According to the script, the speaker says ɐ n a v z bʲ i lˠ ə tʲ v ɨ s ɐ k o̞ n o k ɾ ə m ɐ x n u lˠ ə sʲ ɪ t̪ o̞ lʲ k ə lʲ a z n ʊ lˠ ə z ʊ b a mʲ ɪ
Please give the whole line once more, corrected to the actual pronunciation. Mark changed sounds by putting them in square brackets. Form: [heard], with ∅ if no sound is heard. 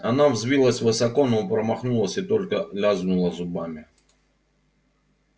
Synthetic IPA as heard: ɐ n a v z [vʲ] i lˠ ə [sʲ] v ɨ s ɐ k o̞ n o [p] ɾ ə m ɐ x n u lˠ ə sʲ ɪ t̪ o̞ lʲ k ə lʲ a z n ʊ lˠ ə z ʊ b a mʲ ɪ